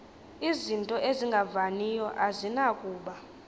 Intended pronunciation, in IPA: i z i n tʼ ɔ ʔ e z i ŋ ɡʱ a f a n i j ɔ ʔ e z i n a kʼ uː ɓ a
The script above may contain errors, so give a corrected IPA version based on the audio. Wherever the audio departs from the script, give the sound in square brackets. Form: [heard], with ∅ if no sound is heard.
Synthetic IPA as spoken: i z i n tʼ ɔ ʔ e z i ŋ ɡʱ a [v] a n i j ɔ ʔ [a] z i n a kʼ uː ɓ a